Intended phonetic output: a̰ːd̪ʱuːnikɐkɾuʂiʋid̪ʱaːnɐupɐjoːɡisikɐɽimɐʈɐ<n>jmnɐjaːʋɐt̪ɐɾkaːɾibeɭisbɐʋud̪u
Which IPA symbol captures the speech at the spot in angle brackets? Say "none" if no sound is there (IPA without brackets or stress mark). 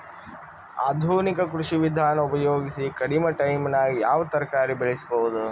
none